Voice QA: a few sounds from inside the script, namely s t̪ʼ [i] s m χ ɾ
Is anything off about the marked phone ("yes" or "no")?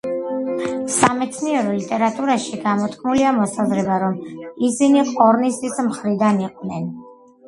no